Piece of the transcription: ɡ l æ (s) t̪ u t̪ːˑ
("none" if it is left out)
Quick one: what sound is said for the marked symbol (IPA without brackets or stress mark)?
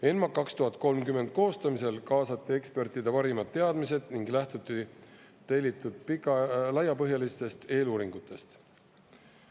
h